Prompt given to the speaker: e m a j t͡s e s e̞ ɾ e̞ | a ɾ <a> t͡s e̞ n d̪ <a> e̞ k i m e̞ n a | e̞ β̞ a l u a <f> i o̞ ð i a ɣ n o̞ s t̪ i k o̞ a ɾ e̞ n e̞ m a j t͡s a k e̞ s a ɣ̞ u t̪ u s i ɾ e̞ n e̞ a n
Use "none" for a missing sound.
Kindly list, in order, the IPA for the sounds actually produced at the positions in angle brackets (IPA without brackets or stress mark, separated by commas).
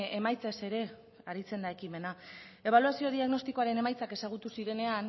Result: i, a, s